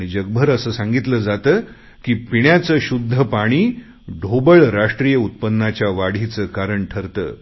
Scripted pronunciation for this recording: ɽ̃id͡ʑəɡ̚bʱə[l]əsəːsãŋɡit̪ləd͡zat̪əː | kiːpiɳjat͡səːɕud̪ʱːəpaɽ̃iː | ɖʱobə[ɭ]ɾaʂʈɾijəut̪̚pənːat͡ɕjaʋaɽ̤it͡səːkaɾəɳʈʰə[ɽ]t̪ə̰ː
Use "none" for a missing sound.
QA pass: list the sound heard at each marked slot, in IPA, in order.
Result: ɾ, ɭ, ɾ

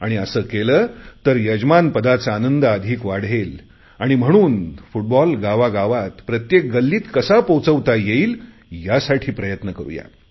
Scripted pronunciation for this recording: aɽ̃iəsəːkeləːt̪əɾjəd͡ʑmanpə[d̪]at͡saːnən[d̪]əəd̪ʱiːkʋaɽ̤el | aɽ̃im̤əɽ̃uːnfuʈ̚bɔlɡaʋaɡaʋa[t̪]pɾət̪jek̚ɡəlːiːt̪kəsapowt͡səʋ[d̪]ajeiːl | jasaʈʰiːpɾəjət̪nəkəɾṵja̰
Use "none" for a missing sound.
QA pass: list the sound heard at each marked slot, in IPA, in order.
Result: d̪, d̪, t̪, t̪

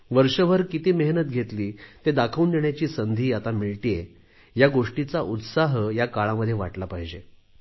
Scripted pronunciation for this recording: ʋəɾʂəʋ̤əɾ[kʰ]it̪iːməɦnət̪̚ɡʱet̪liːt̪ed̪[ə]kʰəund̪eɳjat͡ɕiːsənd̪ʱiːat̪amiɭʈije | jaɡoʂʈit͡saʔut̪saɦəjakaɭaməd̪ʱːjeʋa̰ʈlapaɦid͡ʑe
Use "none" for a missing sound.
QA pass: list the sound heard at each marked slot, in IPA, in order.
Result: k, a

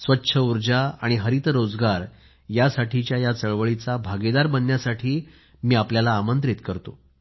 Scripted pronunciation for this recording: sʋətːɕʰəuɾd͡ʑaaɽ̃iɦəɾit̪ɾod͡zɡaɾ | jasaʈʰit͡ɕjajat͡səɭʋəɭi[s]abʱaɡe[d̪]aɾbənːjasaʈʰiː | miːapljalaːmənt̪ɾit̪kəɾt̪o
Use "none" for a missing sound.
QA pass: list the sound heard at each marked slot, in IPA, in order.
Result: t͡s, d̪

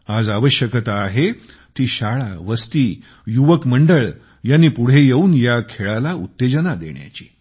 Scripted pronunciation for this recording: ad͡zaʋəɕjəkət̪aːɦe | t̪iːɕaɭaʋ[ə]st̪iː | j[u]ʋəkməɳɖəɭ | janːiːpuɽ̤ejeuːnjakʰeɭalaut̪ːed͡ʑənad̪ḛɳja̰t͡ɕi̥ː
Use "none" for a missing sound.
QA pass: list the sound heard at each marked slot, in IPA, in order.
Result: ə, u

